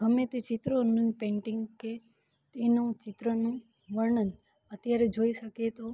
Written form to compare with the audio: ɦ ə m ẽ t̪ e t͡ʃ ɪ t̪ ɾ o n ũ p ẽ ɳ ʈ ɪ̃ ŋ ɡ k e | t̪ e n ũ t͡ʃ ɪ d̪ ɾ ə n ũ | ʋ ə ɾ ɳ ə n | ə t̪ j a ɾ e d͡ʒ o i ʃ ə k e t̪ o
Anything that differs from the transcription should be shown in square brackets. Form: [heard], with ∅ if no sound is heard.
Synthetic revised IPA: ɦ ə m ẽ t̪ e t͡ʃ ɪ t̪ ɾ o n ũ p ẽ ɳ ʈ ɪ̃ ŋ ɡ k e | t̪ e n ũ t͡ʃ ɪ [t̪] ɾ ə n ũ | ʋ ə ɾ ɳ ə n | ə t̪ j a ɾ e d͡ʒ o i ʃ ə k e t̪ o